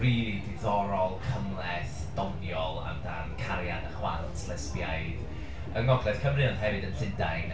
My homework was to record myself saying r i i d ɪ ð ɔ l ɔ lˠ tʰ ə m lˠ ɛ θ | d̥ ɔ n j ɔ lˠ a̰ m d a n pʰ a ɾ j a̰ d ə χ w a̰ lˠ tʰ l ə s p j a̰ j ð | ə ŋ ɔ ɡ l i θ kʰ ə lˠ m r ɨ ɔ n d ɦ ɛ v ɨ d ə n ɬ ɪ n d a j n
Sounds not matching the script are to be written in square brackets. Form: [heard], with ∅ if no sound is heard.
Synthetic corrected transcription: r i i d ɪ ð ɔ [ɾ] ɔ lˠ [kʰ] ə m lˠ ɛ θ | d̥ ɔ n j ɔ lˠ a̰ m d a n [kʰ] a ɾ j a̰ d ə χ w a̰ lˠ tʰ l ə s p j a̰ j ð | ə ŋ ɔ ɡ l [ɛ] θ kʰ ə [∅] m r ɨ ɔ n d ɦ ɛ v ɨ d ə n ɬ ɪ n d a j n